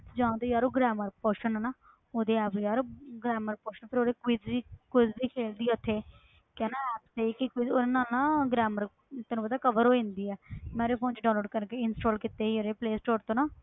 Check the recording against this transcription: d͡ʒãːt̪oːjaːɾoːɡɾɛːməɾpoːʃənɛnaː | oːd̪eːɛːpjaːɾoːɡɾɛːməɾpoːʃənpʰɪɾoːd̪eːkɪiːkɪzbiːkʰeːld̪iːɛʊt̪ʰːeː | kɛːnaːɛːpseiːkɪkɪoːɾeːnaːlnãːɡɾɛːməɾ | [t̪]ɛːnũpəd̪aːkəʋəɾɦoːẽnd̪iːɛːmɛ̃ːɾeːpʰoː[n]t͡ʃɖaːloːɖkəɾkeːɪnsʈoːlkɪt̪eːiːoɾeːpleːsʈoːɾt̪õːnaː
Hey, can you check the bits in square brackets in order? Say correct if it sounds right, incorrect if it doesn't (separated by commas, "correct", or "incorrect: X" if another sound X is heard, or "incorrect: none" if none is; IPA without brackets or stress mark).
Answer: correct, correct